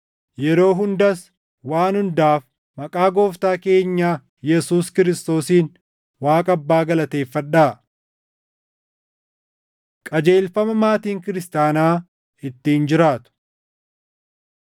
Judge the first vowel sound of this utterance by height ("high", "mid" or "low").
mid